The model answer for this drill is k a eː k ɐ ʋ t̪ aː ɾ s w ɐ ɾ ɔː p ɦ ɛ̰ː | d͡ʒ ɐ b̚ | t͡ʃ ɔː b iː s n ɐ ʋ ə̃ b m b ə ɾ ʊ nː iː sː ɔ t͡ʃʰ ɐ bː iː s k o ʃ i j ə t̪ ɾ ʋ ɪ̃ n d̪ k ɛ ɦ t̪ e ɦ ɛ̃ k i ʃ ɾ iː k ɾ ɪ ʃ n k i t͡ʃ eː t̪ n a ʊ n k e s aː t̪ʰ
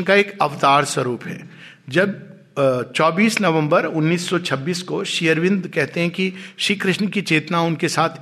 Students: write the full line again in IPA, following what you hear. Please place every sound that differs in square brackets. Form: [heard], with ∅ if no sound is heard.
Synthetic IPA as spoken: k a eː k ɐ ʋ t̪ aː ɾ s w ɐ ɾ [uː] p ɦ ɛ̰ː | d͡ʒ ɐ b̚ | t͡ʃ ɔː b iː s n ɐ ʋ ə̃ [∅] m b ə ɾ ʊ nː iː sː ɔ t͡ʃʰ ɐ bː iː s k o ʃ i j ə [∅] ɾ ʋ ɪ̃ n d̪ k ɛ ɦ t̪ e ɦ ɛ̃ k i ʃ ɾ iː k ɾ ɪ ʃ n k i t͡ʃ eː t̪ n a ʊ n k e s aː t̪ʰ